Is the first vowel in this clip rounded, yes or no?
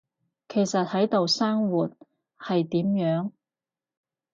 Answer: no